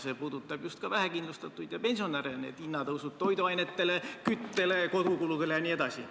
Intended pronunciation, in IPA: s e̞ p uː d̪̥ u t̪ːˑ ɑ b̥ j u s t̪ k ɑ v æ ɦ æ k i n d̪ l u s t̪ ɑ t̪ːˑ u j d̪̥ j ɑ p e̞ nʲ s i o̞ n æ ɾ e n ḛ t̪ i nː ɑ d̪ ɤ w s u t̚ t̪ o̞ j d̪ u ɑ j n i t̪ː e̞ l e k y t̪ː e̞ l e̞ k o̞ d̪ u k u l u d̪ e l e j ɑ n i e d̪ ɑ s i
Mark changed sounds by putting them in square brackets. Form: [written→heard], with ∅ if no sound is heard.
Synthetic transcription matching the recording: s e̞ p uː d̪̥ u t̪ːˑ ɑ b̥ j u s t̪ k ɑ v æ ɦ æ k i n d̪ l u s t̪ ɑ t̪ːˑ u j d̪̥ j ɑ p e̞ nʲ s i o̞ n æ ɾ e n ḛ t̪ i nː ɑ [d̪→t̪] ɤ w s u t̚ t̪ o̞ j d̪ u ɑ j n [i→e] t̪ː e̞ l e k y t̪ː e̞ l e̞ k o̞ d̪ u k u l u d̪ e l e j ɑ n i e d̪ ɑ s i